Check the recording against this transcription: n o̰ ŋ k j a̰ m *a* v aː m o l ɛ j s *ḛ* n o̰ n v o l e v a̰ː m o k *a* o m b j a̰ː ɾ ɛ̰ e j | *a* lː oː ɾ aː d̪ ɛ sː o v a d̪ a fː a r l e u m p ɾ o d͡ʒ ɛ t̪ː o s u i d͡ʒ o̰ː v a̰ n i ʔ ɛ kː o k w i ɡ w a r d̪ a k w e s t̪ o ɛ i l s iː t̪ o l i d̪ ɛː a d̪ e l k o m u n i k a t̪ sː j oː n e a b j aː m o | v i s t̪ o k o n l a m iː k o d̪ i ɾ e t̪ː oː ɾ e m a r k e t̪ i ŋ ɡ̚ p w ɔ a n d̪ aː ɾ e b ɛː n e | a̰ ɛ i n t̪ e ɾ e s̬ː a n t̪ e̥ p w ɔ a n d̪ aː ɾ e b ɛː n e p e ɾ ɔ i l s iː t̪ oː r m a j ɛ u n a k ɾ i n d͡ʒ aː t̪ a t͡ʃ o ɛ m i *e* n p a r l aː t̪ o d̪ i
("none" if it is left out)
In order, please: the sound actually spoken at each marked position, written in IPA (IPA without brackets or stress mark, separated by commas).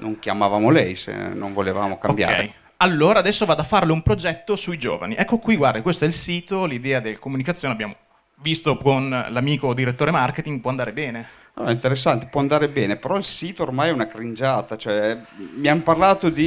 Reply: a, ḛ, a, a, a